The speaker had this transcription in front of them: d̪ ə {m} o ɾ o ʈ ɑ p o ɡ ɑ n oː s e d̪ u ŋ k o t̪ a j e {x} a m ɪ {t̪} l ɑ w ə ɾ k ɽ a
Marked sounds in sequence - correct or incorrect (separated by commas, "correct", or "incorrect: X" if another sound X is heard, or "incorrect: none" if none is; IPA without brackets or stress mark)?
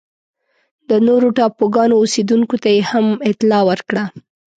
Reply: incorrect: n, incorrect: h, correct